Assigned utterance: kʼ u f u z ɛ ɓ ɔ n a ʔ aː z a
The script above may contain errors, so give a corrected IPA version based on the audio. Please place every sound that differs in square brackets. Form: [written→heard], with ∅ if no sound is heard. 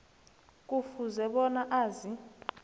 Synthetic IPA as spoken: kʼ u f u z ɛ ɓ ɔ n a ʔ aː z [a→i]

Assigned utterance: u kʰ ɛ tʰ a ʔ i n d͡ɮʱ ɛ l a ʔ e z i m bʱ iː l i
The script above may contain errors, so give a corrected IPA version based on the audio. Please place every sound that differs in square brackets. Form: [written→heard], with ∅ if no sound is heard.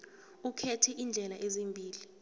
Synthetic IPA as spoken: u kʰ ɛ tʰ [a→ɛ] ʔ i n d͡ɮʱ ɛ l a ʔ e z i m bʱ iː l i

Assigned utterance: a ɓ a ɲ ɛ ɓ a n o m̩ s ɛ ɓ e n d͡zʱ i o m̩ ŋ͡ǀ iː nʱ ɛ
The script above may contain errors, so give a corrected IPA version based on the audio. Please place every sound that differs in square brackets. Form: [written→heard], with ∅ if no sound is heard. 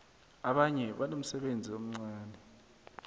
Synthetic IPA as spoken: a ɓ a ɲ ɛ ɓ a n o m̩ s ɛ ɓ e n d͡zʱ i o m̩ ŋ͡ǀ [iː→aː] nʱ ɛ

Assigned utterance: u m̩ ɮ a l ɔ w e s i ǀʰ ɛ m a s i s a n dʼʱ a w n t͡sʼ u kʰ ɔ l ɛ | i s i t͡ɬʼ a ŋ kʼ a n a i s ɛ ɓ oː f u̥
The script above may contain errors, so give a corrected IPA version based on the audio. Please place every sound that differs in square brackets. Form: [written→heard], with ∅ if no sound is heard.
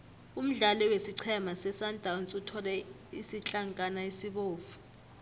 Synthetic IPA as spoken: u m̩ ɮ a l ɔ w e s i ǀʰ ɛ m a s [i→ɛ] s a n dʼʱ a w n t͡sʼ u [kʰ→tʰ] ɔ l ɛ | i s i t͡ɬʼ a ŋ kʼ a n a i s [ɛ→i] ɓ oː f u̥

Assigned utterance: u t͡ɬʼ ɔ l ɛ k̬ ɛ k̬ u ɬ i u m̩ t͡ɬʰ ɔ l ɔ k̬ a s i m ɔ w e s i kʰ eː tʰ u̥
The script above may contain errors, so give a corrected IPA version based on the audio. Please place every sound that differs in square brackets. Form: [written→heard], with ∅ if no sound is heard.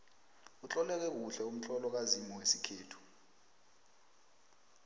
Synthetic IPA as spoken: u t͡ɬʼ ɔ l ɛ k̬ ɛ k̬ u ɬ [i→ɛ] u m̩ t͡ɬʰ ɔ l ɔ k̬ a [s→z] i m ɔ w e s i kʰ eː tʰ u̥

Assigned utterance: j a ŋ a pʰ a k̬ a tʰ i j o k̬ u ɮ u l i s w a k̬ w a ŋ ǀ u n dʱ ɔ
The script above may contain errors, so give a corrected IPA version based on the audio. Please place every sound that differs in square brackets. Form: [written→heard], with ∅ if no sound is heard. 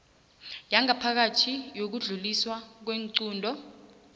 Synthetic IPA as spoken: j a ŋ a pʰ a k̬ a tʰ i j o k̬ u ɮ u l i s w a k̬ w [a→e] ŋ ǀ [u→uː] n dʱ ɔ

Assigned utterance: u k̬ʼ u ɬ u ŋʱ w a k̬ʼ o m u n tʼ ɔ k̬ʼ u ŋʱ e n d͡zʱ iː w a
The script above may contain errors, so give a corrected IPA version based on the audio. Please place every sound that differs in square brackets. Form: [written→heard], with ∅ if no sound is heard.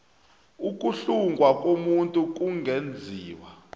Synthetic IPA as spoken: u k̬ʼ u ɬ u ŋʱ w a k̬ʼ o m u n tʼ [ɔ→u] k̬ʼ u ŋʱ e n d͡zʱ iː w a

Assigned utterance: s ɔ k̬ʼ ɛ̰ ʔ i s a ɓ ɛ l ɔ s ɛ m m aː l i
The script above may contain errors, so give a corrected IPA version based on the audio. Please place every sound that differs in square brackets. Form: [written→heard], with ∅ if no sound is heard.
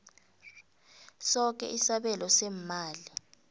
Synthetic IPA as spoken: s ɔ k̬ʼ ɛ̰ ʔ i s a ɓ ɛ l ɔ s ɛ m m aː l i

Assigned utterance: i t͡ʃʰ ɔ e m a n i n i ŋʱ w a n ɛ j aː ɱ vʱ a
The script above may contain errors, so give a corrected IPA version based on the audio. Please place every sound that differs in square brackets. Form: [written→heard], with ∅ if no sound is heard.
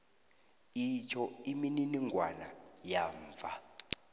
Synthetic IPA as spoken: i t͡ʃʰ ɔ [e→i] m [a→i] n i n i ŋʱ w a n [ɛ→a] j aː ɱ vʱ a

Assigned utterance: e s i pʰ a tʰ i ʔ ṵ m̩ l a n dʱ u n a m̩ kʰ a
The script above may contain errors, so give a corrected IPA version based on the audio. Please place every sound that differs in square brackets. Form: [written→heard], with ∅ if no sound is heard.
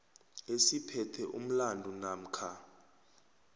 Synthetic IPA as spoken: e s i pʰ [a→ɛ] tʰ [i→ɛ] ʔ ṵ m̩ l a n dʱ u n a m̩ kʰ a

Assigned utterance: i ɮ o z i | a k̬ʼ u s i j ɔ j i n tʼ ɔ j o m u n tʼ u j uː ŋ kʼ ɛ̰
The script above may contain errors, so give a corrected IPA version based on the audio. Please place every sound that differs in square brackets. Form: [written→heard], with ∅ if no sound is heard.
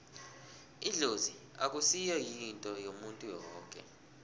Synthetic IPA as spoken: i ɮ o z i | a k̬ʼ u s i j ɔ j i n tʼ ɔ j o m u n tʼ u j [uː→ɔː] ŋ kʼ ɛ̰

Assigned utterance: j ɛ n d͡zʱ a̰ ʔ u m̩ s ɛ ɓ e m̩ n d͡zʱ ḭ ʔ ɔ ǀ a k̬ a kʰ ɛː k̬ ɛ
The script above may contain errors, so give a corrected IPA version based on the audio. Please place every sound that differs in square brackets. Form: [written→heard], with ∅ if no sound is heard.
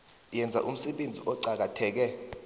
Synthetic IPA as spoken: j ɛ n d͡zʱ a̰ ʔ u m̩ s ɛ ɓ e [m̩→∅] n d͡zʱ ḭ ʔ ɔ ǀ a k̬ a [kʰ→tʰ] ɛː k̬ ɛ

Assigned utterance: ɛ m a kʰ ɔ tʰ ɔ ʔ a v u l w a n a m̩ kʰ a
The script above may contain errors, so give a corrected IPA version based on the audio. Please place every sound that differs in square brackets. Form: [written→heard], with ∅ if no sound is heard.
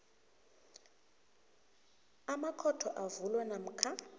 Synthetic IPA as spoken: [ɛ→a] m a kʰ ɔ tʰ ɔ ʔ a v u l w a n a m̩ kʰ a

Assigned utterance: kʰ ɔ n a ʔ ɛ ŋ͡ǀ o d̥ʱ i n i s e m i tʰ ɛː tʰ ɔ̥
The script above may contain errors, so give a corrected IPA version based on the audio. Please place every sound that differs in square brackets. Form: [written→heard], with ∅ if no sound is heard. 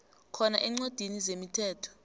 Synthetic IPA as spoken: kʰ ɔ n a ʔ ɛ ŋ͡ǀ o d̥ʱ i n i [s→z] e m i tʰ ɛː tʰ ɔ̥

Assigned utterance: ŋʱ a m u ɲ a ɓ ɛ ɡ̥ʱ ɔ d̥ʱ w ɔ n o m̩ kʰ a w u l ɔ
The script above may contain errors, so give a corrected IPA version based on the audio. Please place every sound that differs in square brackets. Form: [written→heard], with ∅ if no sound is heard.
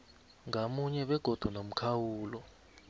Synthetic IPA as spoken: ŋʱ a m u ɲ [a→ɛ] ɓ ɛ ɡ̥ʱ ɔ d̥ʱ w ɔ n o m̩ kʰ a w [u→uː] l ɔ

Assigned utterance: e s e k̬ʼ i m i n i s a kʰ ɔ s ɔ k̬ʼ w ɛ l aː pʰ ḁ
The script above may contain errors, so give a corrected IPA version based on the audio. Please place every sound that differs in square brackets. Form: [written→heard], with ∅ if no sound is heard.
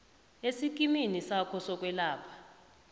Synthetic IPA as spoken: e s [e→i] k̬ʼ i m i n i s a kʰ ɔ s ɔ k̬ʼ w ɛ l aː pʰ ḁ

